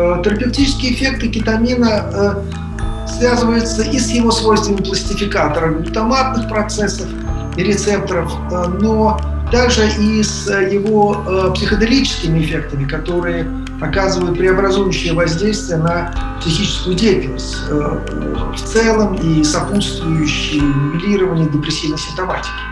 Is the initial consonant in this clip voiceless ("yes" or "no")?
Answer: yes